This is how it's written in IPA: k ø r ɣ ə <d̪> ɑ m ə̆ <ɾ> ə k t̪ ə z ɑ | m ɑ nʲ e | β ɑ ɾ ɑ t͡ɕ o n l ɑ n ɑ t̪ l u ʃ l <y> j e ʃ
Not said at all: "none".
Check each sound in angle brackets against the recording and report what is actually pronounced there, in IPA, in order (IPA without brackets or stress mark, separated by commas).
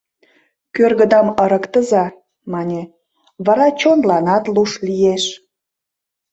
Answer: d̪, ɾ, i